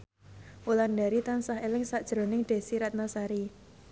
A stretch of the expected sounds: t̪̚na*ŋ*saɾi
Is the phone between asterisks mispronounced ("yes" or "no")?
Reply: yes